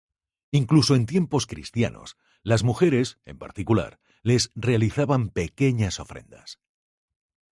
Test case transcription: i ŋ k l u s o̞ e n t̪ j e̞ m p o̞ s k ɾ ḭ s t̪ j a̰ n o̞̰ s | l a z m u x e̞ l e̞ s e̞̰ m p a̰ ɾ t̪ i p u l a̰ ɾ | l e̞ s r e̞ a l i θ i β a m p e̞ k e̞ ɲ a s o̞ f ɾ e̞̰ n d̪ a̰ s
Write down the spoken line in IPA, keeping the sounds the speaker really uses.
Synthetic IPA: i ŋ k l u s o̞ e n t̪ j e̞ m p o̞ s k ɾ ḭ s t̪ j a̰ n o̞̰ s | l a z m u x e̞ ɾ e̞ s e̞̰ m p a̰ ɾ t̪ i k u l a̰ ɾ | l e̞ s r e̞ a l i θ a β a m p e̞ k e̞ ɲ a s o̞ f ɾ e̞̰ n d̪ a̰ s